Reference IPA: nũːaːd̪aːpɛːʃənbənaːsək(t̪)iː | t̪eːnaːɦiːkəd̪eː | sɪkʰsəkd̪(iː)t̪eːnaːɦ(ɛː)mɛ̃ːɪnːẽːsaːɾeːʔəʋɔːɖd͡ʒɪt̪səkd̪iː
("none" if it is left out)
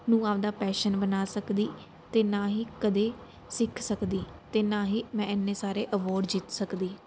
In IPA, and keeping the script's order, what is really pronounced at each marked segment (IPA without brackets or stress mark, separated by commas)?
d̪, iː, iː